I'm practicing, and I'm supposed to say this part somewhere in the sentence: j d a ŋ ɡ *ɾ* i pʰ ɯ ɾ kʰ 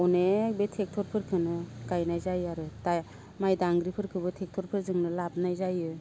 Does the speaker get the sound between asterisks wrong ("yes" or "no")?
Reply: no